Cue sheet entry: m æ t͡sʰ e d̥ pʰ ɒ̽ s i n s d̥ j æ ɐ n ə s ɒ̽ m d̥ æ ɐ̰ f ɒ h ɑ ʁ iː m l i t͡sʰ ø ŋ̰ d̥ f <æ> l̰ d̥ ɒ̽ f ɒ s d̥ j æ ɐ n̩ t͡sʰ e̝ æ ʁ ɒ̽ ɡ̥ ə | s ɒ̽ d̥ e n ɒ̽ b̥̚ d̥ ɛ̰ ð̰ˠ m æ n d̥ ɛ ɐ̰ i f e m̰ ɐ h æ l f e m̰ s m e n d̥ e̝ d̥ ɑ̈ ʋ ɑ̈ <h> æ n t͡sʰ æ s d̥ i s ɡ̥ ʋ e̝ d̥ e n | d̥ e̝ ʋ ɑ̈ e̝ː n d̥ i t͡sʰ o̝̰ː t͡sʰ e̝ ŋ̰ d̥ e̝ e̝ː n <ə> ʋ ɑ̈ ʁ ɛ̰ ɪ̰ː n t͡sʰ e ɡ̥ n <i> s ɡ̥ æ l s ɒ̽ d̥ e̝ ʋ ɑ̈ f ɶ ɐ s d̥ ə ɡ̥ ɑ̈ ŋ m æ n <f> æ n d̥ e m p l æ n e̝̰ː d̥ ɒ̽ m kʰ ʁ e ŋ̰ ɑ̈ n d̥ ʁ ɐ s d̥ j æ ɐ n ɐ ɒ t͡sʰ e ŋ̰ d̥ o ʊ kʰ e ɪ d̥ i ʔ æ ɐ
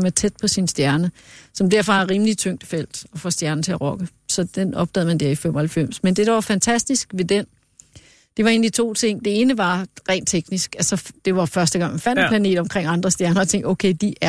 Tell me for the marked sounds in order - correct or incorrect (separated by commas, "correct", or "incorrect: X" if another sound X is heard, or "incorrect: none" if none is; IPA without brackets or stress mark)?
incorrect: e, incorrect: f, correct, correct, correct